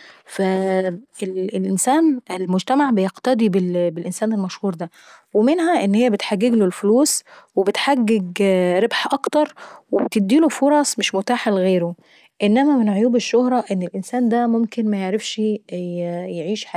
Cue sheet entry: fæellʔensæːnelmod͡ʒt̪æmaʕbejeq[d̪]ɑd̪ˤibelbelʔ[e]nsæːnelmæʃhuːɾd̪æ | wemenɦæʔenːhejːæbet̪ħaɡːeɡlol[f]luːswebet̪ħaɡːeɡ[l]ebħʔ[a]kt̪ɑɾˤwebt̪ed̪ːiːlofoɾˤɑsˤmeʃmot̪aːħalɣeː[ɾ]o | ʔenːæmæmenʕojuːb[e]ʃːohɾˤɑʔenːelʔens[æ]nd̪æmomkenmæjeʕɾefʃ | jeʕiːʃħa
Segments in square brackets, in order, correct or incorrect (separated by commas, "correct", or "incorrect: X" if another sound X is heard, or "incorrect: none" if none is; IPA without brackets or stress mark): incorrect: t̪, correct, correct, incorrect: ɾ, incorrect: ɑ, correct, correct, incorrect: æː